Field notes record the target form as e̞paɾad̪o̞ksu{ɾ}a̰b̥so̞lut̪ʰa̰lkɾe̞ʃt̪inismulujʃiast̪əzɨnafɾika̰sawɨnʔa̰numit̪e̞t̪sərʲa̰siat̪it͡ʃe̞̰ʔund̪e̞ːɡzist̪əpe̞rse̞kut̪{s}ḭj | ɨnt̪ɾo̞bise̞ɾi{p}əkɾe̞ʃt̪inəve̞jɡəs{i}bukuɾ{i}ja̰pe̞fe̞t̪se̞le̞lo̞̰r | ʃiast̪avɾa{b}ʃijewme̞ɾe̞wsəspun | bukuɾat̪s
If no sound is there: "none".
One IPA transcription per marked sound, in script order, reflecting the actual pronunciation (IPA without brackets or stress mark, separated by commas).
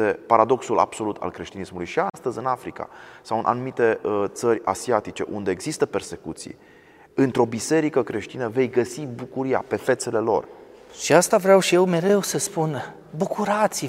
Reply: l, s, k, i, i, w